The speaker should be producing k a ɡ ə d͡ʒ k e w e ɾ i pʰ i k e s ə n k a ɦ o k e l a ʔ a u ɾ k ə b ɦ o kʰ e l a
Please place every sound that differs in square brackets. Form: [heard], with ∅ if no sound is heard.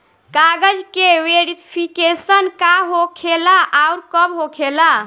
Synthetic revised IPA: k a ɡ ə d͡ʒ k e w e ɾ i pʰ i k e s ə n k a ɦ o [kʰ] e l a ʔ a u ɾ k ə b ɦ o kʰ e l a